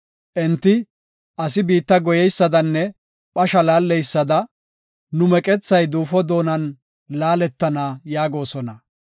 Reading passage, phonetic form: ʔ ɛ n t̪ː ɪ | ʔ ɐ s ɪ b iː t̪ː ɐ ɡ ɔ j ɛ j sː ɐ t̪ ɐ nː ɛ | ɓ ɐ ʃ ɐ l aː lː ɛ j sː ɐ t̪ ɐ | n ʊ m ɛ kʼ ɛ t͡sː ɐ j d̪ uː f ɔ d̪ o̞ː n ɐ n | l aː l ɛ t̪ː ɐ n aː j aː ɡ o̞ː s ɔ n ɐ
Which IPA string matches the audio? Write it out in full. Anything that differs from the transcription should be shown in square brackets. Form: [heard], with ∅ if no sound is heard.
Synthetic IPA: ʔ ɛ n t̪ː ɪ | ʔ ɐ s ɪ b iː t̪ː ɐ ɡ ɔ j ɛ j sː ɐ [d̪] ɐ nː ɛ | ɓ ɐ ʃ ɐ l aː lː ɛ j sː ɐ [d̪] ɐ | n ʊ m ɛ kʼ ɛ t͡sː ɐ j d̪ uː f ɔ d̪ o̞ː n ɐ n | l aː l ɛ t̪ː ɐ n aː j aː ɡ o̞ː s ɔ n ɐ